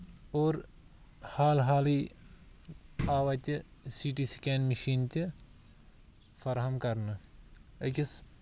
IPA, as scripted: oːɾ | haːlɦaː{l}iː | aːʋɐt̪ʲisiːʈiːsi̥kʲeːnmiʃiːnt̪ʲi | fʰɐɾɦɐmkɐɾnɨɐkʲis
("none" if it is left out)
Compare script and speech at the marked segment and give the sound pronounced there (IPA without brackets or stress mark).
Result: l